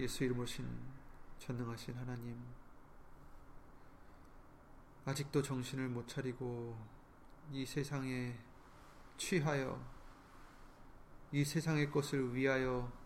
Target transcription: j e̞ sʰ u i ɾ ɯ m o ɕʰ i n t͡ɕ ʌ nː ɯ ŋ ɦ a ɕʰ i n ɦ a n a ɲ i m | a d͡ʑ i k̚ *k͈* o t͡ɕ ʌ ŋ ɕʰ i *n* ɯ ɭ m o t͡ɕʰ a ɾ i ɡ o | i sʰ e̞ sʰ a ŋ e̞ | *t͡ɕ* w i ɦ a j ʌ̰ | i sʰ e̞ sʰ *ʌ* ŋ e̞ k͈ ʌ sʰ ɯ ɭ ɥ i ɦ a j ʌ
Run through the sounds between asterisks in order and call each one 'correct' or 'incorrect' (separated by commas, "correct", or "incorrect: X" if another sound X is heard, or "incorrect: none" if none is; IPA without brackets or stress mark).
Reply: incorrect: t͈, correct, incorrect: t͡ɕʰ, incorrect: a